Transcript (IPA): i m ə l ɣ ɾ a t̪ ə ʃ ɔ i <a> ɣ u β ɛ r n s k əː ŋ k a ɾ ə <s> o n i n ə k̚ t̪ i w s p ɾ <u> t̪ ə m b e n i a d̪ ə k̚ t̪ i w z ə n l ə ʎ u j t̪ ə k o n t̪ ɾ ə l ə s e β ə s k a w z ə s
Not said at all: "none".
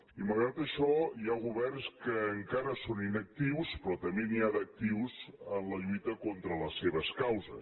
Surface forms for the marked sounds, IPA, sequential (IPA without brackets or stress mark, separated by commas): a, s, ɔ